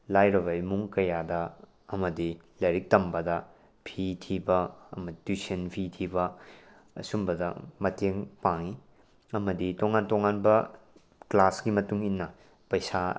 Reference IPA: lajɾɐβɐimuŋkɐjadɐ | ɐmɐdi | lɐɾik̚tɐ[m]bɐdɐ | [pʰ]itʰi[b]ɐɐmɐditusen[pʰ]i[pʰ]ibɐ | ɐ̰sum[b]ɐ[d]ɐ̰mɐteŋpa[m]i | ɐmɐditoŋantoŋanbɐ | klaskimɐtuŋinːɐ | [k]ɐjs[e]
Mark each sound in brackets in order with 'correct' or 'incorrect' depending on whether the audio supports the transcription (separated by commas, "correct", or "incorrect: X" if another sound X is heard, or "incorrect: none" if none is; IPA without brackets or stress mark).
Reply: correct, correct, correct, correct, incorrect: tʰ, correct, correct, incorrect: ŋ, incorrect: p, incorrect: a